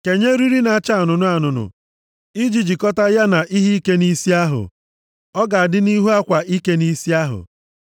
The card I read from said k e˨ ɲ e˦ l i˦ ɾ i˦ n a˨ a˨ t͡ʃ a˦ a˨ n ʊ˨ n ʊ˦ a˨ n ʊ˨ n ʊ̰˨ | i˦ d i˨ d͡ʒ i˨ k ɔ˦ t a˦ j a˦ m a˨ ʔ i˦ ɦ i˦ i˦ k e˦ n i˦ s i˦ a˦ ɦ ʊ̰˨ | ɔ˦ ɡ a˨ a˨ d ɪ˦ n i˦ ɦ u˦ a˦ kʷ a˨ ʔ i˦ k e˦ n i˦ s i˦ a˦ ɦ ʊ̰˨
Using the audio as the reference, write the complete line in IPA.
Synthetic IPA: k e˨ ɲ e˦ ɾ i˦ ɾ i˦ n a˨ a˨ t͡ʃ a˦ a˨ n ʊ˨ n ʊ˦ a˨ n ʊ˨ n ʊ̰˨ | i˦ d͡ʒ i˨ d͡ʒ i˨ k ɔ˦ t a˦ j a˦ n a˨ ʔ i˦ ɦ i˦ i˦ k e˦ n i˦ s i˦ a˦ ɦ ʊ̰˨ | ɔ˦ ɡ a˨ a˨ d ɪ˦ n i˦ ɦ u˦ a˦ kʷ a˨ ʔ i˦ k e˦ n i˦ s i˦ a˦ ɦ ʊ̰˨